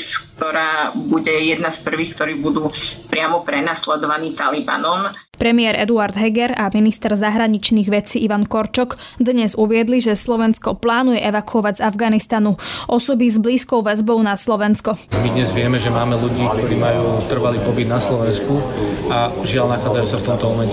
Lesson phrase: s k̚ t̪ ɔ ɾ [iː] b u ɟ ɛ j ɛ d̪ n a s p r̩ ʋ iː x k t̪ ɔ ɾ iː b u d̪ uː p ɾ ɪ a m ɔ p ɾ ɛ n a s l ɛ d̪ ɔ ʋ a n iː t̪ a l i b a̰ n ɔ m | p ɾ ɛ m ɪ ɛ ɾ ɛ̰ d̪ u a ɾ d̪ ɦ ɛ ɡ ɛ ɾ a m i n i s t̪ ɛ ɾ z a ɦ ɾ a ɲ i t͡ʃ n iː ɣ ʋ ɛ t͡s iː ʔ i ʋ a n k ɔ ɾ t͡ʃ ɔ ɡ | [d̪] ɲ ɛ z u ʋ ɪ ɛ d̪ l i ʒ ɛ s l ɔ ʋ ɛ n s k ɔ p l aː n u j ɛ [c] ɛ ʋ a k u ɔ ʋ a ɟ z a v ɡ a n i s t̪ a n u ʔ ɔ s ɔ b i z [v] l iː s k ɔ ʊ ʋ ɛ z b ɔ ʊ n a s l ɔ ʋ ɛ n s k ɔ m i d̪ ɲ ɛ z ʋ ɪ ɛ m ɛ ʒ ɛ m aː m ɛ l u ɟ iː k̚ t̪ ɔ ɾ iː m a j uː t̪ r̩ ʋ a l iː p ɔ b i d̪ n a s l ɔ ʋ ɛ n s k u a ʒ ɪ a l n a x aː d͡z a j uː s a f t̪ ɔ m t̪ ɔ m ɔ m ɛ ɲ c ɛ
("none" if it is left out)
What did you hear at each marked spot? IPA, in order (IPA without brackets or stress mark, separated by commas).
aː, d̪, ʔ, b